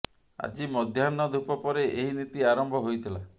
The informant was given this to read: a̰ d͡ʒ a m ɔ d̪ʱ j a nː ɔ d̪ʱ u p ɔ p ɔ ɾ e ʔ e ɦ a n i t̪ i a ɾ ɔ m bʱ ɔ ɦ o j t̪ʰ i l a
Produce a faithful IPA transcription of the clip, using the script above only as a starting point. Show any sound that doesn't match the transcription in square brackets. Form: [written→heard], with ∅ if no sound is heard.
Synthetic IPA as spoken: a̰ d͡ʒ [a→i] m ɔ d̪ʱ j a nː ɔ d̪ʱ u p ɔ p ɔ ɾ e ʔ e ɦ [a→i] n i t̪ i a ɾ ɔ m bʱ ɔ ɦ o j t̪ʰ i l a